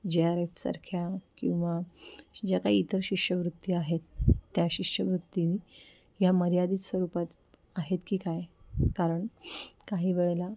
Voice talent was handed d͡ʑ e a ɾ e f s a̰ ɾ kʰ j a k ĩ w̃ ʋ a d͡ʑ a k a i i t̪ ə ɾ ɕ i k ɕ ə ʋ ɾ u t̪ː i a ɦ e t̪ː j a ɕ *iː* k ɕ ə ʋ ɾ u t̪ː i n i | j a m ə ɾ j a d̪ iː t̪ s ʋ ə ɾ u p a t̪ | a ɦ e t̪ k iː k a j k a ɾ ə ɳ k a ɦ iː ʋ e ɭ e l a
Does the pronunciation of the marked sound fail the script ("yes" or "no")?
yes